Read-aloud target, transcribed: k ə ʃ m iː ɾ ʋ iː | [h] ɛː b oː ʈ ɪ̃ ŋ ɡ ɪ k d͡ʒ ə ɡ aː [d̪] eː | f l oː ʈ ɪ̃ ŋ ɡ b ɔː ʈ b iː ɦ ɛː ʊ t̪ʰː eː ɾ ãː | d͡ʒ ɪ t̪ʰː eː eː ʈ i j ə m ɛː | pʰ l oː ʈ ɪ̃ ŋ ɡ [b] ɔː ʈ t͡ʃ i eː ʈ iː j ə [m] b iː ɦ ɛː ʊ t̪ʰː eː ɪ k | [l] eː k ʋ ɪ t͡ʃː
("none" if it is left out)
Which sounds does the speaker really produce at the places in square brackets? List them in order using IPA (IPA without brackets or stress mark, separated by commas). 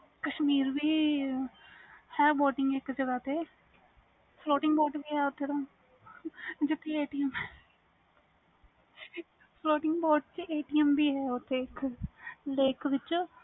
h, t̪, b, m, l